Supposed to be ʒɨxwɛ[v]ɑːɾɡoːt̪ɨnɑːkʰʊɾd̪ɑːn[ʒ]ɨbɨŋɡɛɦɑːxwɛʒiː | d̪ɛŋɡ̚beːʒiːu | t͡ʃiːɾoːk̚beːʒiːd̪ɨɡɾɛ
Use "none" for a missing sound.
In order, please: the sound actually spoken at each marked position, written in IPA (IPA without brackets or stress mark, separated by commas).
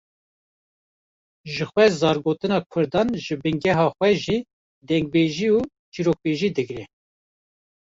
z, ʒ